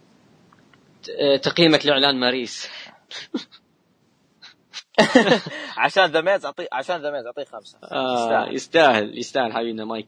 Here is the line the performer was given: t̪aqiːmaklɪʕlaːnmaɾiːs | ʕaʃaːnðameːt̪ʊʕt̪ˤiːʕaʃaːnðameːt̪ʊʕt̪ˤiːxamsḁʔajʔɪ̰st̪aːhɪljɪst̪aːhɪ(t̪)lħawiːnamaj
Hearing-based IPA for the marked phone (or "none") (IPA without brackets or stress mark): none